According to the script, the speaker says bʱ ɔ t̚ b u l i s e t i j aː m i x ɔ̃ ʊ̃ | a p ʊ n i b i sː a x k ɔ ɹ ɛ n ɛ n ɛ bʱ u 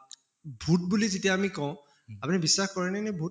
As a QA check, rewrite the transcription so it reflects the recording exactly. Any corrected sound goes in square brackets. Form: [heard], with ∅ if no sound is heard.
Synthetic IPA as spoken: bʱ [u] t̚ b u l i [z] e t i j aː m i [k] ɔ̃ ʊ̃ | a p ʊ n i b i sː a x k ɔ ɹ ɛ n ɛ n ɛ bʱ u